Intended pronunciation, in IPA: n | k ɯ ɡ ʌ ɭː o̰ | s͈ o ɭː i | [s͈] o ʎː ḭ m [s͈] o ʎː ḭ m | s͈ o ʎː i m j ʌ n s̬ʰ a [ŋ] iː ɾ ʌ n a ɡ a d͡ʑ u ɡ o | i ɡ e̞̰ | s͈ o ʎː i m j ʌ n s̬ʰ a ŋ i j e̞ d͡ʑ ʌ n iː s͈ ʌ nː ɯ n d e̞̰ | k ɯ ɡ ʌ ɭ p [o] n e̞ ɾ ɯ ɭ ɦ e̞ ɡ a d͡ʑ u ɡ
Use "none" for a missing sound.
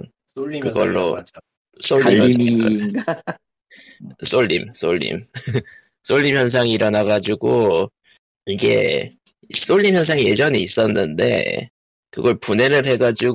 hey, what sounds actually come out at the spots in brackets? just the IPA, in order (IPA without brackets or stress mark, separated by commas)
s͈, s͈, ŋ, u